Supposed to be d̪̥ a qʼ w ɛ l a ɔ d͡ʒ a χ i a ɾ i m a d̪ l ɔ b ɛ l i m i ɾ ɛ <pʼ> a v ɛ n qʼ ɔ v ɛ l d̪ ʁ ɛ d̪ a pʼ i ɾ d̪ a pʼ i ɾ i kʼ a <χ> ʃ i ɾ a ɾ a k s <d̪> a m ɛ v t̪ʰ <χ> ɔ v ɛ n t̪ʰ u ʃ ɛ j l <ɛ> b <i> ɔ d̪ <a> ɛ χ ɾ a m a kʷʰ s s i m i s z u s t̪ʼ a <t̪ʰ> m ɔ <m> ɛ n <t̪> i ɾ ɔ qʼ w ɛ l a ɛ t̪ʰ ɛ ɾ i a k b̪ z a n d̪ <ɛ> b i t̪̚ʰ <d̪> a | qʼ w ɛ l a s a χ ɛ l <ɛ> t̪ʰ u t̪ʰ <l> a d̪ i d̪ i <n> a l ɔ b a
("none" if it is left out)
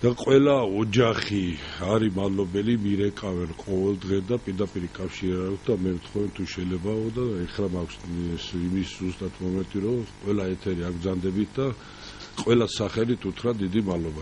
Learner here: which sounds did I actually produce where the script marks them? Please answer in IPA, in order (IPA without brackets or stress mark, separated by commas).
kʼ, f, d̪, χ, ɛ, a, a, t̪ʰ, m, t̪ʼ, ɛ, d̪, i, ɾ, m